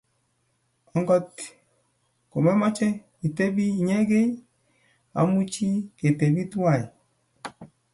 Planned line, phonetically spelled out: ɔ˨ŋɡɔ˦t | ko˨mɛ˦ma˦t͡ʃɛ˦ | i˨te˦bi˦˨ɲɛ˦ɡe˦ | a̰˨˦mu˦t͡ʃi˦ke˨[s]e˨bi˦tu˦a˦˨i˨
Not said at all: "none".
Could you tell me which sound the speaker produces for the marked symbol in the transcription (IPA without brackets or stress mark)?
t